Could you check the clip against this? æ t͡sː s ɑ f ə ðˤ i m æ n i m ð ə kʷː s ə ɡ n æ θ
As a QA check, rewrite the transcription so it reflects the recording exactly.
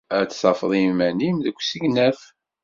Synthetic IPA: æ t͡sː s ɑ f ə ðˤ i m æ n i m ð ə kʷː s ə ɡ n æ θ

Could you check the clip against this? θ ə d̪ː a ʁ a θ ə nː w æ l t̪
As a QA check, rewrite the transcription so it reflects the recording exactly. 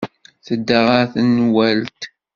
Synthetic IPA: θ ə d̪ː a ʁ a θ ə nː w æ l t̪

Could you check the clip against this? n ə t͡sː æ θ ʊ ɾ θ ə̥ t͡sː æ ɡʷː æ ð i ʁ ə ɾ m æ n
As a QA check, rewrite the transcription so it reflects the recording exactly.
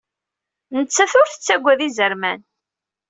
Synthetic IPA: n ə t͡sː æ θ ʊ ɾ θ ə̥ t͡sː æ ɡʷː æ ð i z ə ɾ m æ n

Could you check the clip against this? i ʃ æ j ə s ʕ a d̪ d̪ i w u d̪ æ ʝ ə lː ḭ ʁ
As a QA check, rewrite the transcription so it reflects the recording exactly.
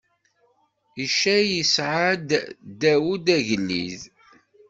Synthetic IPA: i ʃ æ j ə s ʕ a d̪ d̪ æ w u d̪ æ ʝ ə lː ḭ ð

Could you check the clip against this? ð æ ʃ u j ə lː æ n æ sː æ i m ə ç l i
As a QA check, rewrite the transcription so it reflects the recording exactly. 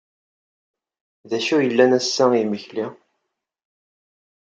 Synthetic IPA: ð æ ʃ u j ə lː æ n æ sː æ i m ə ç l i

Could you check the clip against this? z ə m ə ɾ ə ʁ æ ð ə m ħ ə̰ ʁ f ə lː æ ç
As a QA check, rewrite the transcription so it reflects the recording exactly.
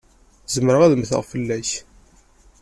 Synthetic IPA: z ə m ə ɾ ə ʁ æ ð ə m θ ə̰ ʁ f ə lː æ ç

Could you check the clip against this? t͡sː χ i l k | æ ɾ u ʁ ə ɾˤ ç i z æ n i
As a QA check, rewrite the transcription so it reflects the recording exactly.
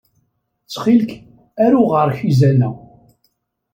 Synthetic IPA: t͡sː χ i l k | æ ɾ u ʁ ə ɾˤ ç i z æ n æ

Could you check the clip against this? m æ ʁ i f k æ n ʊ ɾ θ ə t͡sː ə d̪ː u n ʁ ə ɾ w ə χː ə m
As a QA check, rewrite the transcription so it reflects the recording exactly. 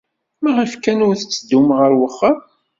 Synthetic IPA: m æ ʁ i f k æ n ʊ ɾ θ ə t͡sː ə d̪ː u m ʁ ə ɾ w ə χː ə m

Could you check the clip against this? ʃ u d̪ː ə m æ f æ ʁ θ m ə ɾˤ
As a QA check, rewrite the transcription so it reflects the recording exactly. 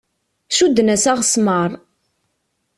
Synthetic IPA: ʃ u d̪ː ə n æ s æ ʁ s m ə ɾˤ

